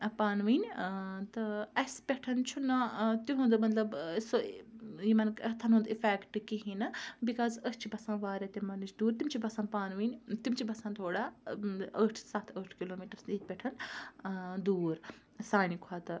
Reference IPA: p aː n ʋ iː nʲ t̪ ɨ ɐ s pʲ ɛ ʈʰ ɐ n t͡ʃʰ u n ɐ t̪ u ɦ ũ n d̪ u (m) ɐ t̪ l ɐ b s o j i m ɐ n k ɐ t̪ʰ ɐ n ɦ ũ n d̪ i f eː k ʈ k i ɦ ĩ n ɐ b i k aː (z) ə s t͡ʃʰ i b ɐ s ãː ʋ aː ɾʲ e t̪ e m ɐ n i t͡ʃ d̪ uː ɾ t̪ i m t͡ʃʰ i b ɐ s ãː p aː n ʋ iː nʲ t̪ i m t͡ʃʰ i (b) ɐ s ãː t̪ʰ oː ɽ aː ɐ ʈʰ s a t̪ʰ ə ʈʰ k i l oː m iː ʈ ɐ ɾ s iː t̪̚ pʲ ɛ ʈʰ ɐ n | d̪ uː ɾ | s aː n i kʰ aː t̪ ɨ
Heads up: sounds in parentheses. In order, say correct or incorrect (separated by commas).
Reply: correct, correct, correct